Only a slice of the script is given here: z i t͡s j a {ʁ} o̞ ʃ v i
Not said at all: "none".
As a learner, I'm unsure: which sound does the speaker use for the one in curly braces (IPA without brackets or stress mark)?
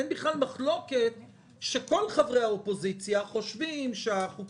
χ